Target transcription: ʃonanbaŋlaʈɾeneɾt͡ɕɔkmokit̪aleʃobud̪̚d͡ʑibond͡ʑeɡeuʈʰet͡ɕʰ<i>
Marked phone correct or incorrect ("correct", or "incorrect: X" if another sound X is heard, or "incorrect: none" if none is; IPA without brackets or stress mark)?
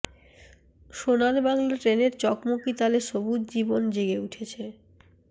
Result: incorrect: e